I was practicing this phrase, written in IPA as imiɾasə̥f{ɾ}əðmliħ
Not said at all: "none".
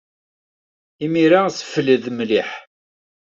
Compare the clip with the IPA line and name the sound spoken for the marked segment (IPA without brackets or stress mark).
l